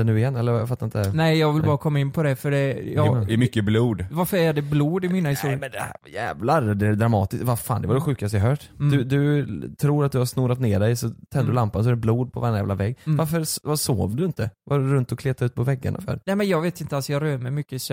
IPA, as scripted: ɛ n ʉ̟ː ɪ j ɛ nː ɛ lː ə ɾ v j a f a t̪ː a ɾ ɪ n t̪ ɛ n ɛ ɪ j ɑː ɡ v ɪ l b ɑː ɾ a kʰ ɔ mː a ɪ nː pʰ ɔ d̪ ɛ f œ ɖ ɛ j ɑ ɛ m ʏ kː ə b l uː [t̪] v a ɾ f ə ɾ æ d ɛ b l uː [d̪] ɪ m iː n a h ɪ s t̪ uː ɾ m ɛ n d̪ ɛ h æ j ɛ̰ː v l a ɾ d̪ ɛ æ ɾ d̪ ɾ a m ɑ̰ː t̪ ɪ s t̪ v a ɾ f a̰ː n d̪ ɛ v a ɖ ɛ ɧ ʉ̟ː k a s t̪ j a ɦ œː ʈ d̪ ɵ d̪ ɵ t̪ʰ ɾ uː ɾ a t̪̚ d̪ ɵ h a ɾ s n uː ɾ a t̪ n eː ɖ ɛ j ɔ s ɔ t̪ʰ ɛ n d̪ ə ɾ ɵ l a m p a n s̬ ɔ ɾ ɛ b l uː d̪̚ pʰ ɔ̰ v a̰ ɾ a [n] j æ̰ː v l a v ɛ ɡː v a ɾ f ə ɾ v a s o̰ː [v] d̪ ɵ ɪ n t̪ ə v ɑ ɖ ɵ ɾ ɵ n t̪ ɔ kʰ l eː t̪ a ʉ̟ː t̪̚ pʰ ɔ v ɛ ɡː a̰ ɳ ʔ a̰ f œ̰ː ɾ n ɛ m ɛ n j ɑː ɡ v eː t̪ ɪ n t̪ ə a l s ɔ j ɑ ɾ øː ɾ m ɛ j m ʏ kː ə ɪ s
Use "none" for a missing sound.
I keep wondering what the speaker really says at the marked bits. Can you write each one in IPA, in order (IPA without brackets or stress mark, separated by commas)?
d̪, d̪, n, v